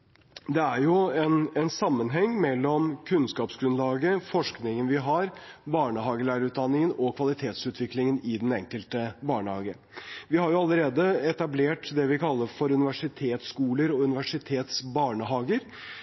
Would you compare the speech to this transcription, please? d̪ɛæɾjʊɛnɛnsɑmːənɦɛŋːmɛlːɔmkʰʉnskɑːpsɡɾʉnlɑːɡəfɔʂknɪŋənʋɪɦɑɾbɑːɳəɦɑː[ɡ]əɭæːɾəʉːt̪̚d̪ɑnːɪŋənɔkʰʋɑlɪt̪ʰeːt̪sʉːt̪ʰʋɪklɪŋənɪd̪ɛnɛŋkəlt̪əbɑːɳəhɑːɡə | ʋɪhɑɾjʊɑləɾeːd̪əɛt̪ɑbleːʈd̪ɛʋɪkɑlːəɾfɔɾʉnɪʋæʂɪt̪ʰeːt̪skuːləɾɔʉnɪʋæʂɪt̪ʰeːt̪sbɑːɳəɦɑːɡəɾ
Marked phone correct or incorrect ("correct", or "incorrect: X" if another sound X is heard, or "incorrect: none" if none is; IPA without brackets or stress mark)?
correct